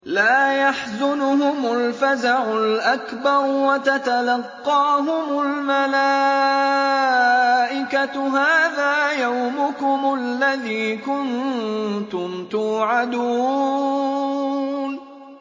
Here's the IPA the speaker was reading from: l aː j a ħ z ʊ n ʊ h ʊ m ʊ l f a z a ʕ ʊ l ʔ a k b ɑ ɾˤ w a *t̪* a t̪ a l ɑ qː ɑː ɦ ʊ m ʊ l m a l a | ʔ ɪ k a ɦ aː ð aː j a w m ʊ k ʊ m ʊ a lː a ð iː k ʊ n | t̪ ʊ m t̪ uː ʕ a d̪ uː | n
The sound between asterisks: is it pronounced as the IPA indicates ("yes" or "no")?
yes